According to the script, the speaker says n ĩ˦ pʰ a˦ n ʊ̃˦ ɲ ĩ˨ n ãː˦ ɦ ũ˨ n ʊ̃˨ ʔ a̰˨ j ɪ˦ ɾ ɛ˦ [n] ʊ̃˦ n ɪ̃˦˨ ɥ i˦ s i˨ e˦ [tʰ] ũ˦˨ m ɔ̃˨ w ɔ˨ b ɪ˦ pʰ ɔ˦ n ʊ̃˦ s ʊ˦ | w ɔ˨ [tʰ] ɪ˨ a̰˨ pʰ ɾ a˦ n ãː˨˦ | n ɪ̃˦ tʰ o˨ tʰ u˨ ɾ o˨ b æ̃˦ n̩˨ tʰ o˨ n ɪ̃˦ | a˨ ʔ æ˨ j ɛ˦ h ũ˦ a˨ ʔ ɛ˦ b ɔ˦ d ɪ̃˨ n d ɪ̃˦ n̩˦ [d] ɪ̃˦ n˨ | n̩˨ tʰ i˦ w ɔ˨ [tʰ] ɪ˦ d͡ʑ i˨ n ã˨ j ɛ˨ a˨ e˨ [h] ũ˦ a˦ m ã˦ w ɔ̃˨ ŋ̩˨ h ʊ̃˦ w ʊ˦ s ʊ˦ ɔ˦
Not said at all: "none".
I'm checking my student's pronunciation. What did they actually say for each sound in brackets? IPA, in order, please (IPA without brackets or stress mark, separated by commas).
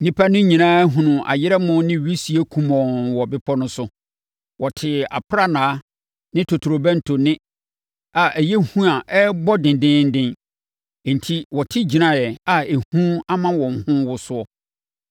m, kʰ, tʰ, d, tʰ, h